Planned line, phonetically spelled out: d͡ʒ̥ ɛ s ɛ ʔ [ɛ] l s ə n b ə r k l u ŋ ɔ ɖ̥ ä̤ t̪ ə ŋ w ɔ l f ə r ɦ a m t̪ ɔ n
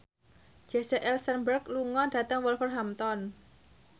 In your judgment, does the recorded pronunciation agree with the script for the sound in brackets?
yes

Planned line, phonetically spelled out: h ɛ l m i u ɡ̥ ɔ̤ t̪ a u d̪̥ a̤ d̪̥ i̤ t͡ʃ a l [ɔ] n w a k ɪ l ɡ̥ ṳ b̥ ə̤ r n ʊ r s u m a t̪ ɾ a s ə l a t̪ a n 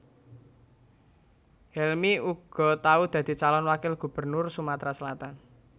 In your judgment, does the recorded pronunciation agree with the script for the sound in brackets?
yes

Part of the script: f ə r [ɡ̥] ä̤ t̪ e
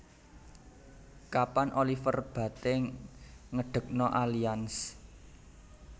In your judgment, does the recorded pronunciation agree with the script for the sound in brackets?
no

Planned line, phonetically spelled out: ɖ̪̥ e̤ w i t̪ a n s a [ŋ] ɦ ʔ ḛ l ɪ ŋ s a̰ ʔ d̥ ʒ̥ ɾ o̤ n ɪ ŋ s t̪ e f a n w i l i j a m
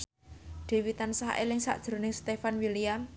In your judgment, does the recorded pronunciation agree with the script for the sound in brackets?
no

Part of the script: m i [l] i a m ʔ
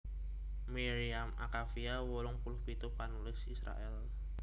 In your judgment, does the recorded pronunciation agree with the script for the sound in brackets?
no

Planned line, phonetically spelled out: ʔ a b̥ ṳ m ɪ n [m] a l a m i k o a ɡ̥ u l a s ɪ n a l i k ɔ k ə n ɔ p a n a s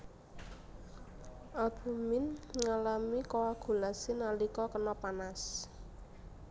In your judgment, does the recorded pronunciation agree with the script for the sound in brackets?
no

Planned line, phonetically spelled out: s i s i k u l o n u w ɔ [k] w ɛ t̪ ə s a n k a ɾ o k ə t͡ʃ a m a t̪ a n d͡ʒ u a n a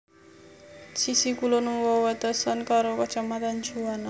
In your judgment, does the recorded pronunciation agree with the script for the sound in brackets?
no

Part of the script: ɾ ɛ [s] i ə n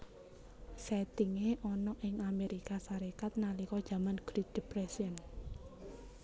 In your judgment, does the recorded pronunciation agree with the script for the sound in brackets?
yes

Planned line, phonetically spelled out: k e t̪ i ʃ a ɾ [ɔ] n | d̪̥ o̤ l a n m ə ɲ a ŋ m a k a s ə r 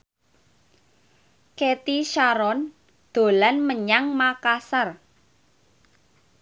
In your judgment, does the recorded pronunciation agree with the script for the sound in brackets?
yes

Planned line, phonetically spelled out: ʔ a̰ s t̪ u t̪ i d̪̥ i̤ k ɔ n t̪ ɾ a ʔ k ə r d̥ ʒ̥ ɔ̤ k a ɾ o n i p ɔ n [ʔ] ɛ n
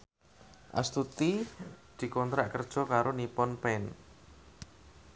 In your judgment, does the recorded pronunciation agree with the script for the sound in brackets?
no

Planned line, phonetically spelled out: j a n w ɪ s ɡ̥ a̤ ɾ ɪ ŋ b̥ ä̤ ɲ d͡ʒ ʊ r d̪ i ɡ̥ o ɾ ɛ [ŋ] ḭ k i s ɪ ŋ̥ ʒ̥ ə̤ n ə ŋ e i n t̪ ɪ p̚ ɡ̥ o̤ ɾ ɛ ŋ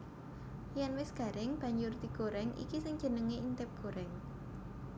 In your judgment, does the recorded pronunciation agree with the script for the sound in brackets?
yes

